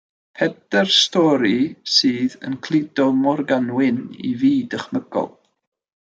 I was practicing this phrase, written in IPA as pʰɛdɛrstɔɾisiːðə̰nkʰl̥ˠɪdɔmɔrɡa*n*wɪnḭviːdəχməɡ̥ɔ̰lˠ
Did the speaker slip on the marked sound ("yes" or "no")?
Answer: no